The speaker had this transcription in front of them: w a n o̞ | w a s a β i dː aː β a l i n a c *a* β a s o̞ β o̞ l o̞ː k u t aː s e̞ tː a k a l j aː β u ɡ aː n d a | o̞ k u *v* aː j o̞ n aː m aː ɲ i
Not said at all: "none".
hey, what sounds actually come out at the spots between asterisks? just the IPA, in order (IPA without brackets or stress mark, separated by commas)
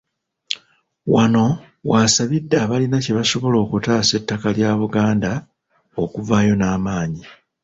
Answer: e, v